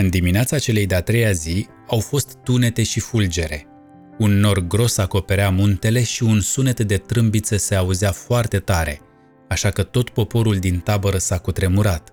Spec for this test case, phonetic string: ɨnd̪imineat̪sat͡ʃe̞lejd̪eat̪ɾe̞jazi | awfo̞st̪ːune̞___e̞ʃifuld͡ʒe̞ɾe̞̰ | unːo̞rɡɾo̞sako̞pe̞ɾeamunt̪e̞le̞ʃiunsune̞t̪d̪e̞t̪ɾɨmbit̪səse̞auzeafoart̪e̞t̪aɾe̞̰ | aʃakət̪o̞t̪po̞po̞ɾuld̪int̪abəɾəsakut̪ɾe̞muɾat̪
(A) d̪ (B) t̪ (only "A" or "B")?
B